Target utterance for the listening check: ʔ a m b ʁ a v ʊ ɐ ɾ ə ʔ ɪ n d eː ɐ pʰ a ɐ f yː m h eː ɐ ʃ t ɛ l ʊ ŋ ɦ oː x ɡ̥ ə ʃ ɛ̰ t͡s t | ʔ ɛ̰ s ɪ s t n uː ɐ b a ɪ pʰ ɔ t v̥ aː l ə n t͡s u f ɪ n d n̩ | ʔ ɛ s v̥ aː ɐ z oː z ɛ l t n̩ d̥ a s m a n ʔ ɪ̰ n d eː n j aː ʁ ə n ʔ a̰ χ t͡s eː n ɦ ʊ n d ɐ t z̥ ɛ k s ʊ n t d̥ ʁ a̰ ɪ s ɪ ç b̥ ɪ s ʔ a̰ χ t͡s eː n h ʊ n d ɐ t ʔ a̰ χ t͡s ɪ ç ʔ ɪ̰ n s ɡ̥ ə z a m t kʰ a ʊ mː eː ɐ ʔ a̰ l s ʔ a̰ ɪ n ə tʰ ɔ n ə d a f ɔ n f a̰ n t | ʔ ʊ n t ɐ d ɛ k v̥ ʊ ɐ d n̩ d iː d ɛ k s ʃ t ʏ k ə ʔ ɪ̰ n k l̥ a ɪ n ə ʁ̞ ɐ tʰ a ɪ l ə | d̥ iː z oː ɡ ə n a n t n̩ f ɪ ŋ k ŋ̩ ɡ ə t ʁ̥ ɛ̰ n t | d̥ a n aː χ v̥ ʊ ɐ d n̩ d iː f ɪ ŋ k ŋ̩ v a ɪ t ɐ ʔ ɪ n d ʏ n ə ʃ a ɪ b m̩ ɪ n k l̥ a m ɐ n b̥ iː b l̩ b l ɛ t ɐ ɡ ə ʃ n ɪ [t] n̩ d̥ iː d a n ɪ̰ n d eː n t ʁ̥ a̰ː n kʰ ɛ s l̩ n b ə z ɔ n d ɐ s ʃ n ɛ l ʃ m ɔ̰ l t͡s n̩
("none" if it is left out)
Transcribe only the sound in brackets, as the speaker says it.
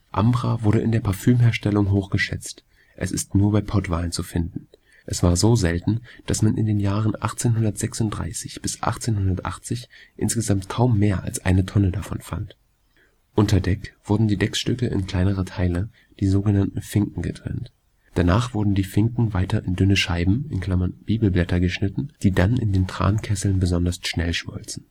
t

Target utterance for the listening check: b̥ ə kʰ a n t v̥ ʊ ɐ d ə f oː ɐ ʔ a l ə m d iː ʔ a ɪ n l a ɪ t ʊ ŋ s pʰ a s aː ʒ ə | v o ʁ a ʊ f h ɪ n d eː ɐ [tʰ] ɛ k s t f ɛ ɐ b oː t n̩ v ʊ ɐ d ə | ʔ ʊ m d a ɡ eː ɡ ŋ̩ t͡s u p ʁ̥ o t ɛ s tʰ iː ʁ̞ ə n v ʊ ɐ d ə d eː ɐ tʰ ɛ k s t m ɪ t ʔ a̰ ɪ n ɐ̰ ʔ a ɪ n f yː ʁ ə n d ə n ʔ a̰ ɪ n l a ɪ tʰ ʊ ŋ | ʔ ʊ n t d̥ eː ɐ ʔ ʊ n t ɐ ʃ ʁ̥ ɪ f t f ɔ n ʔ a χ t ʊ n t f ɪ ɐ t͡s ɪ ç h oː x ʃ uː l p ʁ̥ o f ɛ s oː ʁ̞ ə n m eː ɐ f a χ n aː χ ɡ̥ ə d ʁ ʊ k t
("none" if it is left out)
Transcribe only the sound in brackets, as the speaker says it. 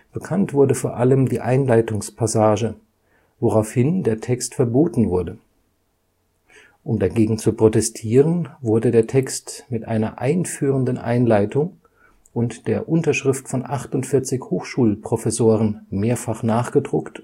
tʰ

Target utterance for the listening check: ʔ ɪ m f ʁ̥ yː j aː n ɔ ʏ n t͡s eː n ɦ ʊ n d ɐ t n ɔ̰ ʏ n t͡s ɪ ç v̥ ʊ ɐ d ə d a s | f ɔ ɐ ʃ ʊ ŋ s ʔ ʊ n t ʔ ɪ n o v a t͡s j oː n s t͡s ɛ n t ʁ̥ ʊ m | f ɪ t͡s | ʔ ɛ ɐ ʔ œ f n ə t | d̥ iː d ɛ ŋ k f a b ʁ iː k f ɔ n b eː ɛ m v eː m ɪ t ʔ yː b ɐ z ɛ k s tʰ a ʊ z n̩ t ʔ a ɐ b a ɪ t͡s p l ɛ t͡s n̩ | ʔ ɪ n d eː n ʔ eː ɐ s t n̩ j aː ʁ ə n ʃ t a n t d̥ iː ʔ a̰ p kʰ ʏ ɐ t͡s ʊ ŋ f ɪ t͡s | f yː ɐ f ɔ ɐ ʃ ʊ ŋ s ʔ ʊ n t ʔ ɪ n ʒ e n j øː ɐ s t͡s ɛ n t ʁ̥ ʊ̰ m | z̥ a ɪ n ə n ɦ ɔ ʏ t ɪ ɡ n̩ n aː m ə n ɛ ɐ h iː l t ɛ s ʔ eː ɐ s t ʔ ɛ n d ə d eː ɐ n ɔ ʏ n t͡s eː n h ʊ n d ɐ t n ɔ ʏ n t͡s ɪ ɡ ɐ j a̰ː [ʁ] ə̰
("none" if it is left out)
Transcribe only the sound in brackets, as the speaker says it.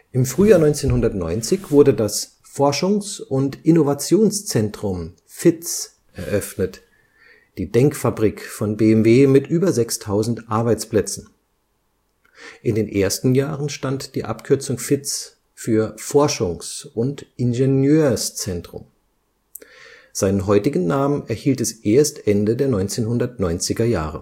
ʁ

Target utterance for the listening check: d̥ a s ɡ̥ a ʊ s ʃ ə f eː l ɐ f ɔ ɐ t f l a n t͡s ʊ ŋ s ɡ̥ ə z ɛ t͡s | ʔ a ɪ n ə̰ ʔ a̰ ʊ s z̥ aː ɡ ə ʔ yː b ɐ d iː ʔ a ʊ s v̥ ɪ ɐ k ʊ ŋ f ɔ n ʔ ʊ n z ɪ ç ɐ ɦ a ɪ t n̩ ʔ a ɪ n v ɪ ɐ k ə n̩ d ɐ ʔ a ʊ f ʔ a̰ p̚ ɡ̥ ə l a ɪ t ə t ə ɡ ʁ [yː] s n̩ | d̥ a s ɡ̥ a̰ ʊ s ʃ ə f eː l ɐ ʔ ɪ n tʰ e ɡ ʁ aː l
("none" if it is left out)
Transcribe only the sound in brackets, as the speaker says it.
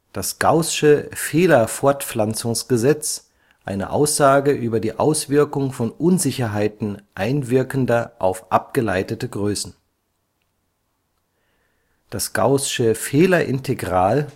øː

